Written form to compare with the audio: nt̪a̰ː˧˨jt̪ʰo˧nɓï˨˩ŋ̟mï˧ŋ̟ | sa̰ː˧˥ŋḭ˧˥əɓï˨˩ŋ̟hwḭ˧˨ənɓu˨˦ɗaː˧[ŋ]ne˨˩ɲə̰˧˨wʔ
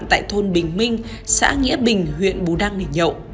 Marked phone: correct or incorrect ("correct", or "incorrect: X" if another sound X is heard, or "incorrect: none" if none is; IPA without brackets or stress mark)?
correct